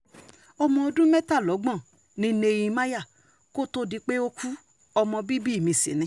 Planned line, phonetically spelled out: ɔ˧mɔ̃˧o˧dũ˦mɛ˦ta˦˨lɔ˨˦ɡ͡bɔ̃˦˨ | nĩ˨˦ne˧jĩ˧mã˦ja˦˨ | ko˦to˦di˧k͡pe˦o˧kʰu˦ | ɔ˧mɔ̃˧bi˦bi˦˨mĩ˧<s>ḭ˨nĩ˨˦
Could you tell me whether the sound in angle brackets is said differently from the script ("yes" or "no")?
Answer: no